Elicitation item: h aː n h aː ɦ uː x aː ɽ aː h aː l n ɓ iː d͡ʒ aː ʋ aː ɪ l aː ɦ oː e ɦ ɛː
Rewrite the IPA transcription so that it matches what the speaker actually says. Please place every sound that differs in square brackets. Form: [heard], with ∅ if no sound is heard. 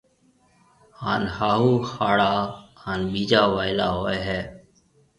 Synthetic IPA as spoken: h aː n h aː ɦ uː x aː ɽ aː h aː [∅] n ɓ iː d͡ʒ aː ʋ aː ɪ l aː ɦ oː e ɦ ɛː